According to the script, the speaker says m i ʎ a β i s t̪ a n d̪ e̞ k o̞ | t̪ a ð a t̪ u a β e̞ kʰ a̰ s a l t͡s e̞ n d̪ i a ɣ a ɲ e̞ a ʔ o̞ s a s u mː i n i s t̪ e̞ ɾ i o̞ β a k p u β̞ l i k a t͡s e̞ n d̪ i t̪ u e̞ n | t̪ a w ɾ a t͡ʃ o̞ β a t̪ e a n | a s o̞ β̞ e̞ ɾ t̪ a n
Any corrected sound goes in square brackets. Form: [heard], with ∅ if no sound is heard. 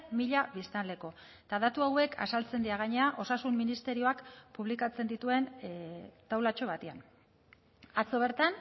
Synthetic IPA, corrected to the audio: m i ʎ a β i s t̪ a n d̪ e̞ k o̞ | t̪ a ð a t̪ u a [w] e̞ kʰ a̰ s a l t͡s e̞ n d̪ i a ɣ a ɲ e̞ a ʔ o̞ s a s u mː i n i s t̪ e̞ ɾ i o̞ [∅] a k p u β̞ l i k a t͡s e̞ n d̪ i t̪ u e̞ n | t̪ a w [l] a t͡ʃ o̞ β a t̪ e a n | a [t͡s] o̞ β̞ e̞ ɾ t̪ a n